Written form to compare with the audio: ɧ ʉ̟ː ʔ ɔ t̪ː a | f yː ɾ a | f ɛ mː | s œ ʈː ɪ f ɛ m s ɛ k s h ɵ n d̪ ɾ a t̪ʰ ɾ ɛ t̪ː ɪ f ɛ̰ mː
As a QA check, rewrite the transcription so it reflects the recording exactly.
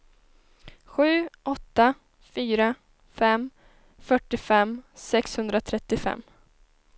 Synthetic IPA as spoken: ɧ ʉ̟ː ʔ ɔ t̪ː a | f yː ɾ a | f ɛ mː | f œ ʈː ɪ f ɛ m s ɛ k s h ɵ n d̪ ɾ a t̪ʰ ɾ ɛ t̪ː ɪ f ɛ̰ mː